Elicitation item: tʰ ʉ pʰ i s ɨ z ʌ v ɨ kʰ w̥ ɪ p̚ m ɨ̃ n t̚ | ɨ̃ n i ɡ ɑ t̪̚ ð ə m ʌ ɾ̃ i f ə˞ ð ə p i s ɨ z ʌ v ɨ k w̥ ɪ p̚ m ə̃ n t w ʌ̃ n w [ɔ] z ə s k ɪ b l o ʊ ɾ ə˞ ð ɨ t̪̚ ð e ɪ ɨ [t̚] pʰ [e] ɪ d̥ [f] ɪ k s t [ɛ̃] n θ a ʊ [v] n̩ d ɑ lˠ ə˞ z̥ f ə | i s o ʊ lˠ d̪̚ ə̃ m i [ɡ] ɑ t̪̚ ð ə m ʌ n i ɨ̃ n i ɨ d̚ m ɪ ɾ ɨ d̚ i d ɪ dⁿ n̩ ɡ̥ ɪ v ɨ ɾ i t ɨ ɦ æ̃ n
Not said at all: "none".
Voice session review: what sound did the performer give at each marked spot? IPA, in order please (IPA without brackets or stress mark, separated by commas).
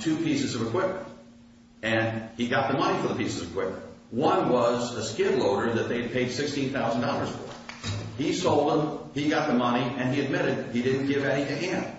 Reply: ʌ, d̚, e, s, ĩ, z, ɡ